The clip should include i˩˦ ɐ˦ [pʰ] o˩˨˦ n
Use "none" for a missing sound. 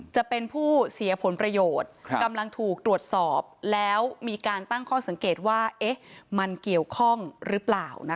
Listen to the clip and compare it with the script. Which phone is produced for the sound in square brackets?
pʰ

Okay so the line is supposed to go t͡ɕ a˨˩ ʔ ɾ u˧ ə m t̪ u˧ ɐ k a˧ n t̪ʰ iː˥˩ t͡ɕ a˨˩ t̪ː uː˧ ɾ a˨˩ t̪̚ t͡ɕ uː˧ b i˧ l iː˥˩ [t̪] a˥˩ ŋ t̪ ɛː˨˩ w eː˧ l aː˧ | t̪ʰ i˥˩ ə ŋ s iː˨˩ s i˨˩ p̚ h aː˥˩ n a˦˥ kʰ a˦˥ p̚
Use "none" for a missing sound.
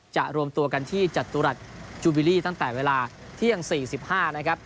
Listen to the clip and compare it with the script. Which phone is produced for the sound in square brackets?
t̪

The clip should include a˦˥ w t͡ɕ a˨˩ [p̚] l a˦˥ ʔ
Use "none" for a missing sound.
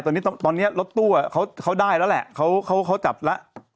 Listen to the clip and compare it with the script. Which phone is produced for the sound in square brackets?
p̚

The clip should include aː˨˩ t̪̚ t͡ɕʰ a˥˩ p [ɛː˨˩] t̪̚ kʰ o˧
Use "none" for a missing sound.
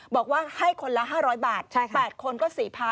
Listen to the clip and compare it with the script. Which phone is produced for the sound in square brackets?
ɛː˨˩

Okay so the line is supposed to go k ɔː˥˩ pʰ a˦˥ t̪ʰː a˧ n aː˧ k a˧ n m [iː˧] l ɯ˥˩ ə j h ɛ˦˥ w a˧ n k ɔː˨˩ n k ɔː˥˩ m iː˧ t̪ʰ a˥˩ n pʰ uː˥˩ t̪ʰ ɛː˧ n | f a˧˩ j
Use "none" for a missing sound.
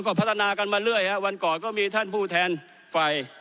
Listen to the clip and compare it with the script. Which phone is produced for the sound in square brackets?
aː˧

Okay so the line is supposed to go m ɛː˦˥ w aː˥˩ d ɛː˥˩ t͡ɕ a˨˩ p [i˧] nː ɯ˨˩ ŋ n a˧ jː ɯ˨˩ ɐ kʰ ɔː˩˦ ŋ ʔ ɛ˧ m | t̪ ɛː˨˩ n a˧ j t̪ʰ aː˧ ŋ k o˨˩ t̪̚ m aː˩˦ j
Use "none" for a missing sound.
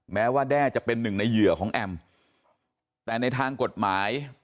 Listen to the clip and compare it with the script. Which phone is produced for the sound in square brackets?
e˧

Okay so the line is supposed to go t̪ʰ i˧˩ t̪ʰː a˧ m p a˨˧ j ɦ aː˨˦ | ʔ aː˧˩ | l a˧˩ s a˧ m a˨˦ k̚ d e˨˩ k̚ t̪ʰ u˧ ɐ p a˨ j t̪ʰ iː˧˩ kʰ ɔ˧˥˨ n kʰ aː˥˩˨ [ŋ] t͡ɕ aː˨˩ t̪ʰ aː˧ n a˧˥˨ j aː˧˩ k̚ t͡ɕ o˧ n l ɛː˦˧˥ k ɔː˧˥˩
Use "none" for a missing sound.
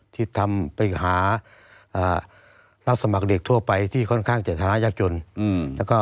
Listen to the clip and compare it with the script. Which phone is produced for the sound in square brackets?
ŋ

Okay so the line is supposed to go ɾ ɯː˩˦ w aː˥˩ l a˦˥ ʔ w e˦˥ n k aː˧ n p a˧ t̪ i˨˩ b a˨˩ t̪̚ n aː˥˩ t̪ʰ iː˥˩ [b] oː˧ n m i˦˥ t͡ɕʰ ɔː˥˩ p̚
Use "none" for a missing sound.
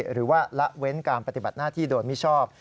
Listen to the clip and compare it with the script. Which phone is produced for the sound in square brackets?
d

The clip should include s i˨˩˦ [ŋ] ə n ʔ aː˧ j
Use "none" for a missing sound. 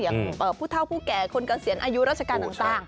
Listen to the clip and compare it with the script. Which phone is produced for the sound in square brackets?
none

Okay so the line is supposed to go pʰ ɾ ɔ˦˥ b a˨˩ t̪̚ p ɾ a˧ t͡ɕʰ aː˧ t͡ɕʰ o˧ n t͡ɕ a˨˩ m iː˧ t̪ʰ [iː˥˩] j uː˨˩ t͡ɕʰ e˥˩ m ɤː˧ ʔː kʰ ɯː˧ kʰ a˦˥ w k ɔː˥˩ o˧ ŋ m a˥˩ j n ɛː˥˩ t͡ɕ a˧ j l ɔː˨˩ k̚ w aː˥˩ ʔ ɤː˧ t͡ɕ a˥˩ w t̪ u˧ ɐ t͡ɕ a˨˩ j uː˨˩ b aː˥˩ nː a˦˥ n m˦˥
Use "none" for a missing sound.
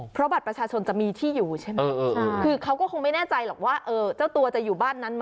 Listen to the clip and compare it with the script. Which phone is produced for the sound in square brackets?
iː˥˩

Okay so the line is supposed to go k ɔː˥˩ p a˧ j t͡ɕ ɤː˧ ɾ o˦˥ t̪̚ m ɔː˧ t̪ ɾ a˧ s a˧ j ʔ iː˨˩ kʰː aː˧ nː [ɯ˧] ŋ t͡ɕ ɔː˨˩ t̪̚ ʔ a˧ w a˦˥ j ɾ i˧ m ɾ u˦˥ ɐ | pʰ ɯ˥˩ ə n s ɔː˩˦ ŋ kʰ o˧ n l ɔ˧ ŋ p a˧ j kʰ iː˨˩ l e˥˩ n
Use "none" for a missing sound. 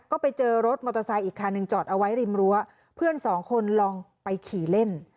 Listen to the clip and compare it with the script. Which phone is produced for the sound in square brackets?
ɯ˧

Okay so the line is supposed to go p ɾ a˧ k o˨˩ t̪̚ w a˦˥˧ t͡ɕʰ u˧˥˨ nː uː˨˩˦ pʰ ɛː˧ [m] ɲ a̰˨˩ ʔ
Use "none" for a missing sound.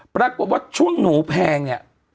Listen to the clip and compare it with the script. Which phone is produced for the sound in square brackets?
ŋ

